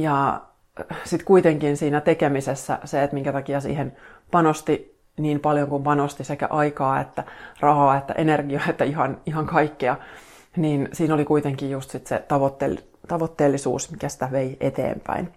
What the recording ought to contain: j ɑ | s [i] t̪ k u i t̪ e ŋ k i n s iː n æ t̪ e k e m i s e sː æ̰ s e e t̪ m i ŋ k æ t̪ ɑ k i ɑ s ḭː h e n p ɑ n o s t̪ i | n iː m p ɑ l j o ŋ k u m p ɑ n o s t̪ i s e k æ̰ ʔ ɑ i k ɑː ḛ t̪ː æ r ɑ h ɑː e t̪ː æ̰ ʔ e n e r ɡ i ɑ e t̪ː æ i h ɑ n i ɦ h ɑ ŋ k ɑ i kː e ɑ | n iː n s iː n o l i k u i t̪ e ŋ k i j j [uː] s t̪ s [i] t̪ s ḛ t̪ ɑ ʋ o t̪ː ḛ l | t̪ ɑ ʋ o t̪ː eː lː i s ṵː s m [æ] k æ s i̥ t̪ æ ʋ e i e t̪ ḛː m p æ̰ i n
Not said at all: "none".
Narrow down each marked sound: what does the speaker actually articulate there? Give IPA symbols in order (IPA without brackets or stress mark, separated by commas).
i, u, i, i